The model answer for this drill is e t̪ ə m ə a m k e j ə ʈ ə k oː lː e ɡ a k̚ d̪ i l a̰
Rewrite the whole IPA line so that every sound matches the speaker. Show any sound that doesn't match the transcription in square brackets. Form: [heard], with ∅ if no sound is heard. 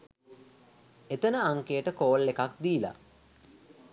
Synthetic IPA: e t̪ ə [n] ə a [ŋ] k e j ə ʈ ə k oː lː e [k] a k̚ d̪ [iː] l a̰